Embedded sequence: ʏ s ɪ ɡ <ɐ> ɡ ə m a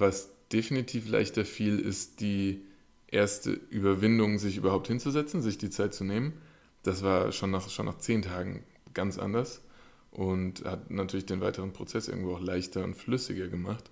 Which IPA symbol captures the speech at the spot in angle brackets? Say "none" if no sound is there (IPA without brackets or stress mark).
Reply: ɐ